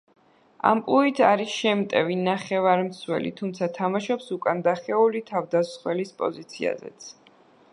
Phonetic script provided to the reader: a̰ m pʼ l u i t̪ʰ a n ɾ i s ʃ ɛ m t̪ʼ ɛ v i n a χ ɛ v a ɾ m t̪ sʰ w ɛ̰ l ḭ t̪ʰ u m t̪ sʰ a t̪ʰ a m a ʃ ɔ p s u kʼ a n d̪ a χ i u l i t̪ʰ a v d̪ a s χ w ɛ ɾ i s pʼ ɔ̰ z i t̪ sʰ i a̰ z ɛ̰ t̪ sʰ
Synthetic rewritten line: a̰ m pʼ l u i t̪ʰ a ɾ i s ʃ ɛ m t̪ʼ ɛ v i n a χ ɛ v a ɾ m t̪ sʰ w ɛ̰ l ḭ t̪ʰ u m t̪ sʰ a t̪ʰ a m a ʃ ɔ p s u kʼ a n d̪ a χ ɛ u l i t̪ʰ a v d̪ a s χ w ɛ l i s pʼ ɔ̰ z i t̪ sʰ i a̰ z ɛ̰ t̪ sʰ